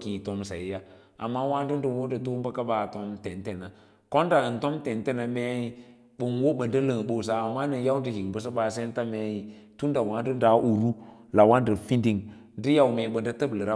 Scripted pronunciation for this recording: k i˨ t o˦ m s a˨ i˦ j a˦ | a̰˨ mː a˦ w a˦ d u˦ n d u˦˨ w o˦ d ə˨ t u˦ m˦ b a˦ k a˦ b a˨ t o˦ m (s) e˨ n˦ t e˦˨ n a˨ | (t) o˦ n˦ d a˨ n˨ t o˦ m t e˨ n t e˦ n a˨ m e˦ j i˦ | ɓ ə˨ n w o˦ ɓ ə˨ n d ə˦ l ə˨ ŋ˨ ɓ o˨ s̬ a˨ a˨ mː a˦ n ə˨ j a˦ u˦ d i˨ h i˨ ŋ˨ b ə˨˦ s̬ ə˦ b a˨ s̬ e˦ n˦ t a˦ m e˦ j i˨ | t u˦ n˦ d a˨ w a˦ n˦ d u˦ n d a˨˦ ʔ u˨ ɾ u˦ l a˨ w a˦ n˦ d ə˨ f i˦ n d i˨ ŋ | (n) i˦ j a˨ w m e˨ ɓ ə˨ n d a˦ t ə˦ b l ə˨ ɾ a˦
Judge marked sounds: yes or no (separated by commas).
no, no, no